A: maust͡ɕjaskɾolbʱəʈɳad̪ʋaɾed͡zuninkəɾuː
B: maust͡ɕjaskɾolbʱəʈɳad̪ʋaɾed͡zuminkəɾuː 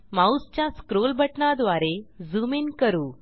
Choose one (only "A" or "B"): B